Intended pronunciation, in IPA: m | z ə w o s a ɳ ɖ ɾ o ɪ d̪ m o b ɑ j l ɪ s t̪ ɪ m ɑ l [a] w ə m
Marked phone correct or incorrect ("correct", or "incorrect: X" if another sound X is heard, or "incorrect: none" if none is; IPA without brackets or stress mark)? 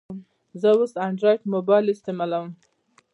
correct